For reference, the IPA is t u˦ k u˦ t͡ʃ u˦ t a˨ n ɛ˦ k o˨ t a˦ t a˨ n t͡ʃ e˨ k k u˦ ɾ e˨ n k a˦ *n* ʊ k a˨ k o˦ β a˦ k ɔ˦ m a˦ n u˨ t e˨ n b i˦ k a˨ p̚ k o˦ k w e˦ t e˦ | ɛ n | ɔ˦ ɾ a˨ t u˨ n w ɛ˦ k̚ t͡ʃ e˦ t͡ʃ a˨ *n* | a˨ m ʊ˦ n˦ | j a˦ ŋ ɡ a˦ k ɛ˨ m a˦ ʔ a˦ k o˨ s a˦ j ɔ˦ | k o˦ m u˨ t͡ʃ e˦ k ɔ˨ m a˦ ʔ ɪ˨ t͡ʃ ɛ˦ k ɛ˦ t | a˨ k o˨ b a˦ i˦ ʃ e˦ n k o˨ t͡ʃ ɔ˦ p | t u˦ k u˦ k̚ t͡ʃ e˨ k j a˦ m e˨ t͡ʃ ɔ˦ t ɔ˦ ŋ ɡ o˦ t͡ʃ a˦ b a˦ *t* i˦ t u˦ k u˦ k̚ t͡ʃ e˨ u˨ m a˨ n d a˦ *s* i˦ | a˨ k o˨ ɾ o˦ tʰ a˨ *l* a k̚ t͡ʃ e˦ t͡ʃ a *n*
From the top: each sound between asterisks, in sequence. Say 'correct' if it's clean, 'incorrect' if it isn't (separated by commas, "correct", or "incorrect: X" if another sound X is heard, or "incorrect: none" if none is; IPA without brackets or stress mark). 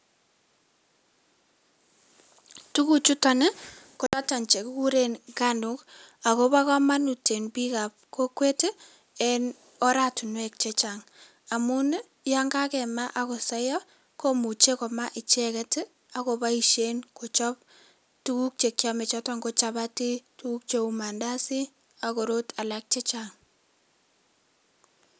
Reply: correct, incorrect: ŋ, correct, correct, correct, incorrect: ŋ